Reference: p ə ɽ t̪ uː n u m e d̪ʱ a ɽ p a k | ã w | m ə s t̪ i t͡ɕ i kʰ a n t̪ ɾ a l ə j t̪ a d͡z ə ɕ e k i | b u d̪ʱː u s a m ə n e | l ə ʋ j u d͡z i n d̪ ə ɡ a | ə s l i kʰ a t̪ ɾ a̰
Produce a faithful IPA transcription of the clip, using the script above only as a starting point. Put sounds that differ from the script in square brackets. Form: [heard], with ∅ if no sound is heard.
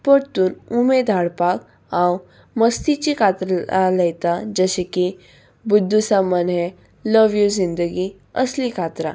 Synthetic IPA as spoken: p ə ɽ t̪ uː n u m e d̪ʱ a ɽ p a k | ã w | m ə s t̪ i t͡ɕ i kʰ a [∅] t̪ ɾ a l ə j t̪ a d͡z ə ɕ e k i | b u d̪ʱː u s a m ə n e | l ə ʋ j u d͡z i n d̪ ə ɡ [i] | ə s l i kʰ a t̪ ɾ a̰